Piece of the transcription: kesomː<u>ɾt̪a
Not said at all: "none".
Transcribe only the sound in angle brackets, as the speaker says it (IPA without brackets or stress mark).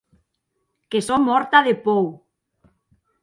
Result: ɔ